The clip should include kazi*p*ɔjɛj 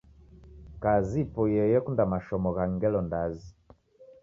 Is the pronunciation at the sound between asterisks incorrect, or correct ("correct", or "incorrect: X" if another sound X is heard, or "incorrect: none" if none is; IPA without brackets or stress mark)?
correct